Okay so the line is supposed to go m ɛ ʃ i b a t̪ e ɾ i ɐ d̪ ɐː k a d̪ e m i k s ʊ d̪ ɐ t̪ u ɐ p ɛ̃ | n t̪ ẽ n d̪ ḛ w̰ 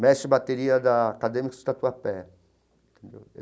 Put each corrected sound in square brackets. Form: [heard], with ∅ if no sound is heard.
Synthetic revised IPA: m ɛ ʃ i b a t̪ e ɾ i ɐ d̪ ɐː k a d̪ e m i k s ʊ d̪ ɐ t̪ u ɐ p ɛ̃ | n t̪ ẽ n d̪ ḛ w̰